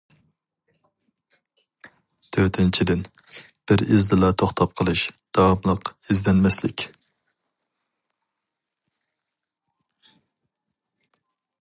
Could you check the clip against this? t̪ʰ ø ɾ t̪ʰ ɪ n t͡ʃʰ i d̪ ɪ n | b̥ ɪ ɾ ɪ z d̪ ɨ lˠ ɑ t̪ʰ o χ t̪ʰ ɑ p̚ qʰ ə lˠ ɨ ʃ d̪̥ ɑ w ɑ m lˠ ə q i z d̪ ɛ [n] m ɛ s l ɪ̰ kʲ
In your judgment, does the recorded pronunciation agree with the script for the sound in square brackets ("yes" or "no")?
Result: yes